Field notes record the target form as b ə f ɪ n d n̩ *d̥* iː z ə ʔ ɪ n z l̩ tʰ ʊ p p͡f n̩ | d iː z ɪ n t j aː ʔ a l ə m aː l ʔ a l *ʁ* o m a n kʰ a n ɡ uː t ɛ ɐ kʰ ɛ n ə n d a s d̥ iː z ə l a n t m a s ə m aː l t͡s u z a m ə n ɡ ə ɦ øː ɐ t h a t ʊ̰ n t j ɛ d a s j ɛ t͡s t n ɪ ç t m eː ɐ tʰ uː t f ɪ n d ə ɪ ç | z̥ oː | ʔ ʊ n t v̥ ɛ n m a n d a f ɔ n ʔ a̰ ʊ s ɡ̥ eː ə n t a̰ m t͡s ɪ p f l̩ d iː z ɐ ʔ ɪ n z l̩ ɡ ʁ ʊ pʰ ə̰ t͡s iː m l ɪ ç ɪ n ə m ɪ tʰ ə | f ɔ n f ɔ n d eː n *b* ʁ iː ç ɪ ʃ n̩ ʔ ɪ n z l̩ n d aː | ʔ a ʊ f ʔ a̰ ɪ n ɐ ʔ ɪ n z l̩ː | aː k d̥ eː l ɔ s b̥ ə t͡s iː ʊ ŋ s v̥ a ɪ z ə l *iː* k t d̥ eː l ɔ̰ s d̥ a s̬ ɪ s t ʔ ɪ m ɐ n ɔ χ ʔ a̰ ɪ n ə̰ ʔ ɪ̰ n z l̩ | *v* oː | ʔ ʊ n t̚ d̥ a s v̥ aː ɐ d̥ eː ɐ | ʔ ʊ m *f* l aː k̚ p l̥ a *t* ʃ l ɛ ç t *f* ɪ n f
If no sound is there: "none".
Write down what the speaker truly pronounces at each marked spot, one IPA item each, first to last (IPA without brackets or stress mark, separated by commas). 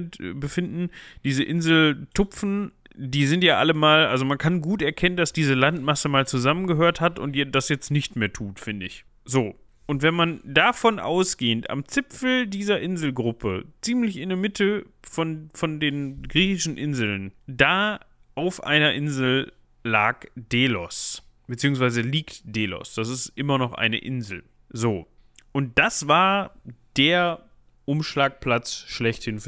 d̥, z, ɡ, iː, z, ʃ, t͡s, h